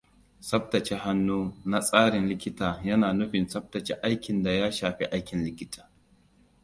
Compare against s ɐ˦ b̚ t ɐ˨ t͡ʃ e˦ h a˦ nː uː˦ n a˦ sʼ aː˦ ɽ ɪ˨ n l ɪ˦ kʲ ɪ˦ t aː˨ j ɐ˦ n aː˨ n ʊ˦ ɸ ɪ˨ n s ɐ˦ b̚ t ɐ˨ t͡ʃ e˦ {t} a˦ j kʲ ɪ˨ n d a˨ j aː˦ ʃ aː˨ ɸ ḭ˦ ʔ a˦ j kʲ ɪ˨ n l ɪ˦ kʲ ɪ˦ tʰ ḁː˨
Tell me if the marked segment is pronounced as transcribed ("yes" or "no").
no